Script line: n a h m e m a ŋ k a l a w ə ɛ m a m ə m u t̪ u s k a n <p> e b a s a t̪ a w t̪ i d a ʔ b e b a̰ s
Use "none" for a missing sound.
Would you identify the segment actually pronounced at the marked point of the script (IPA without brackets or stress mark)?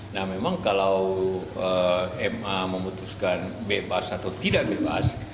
b